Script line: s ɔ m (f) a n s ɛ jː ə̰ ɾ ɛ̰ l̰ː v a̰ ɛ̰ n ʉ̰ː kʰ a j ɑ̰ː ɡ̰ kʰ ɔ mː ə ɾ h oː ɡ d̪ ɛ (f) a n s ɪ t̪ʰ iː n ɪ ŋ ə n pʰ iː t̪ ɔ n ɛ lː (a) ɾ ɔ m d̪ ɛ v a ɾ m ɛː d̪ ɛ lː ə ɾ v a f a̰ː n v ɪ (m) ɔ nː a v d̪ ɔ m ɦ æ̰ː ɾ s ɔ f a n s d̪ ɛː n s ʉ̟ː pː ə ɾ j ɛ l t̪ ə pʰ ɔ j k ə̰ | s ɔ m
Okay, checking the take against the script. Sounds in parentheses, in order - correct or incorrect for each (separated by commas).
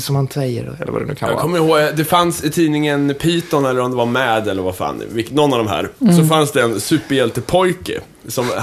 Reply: incorrect, correct, incorrect, incorrect